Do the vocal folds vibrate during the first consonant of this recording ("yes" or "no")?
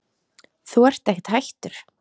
no